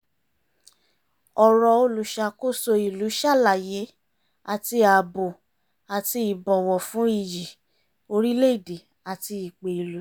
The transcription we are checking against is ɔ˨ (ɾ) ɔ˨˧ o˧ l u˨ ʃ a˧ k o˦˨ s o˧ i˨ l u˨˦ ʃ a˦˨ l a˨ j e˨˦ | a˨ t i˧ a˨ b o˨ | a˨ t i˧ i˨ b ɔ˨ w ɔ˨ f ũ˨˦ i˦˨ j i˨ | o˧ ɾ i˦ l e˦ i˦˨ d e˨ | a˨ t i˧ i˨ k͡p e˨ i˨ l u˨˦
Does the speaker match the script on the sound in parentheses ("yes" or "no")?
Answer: yes